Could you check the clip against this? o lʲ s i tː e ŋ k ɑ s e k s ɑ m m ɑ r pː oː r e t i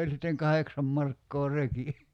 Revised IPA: o lʲ s i tː e ŋ k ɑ h e k s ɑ m m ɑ r kː oː r e k i